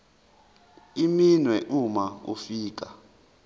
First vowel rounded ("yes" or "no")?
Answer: no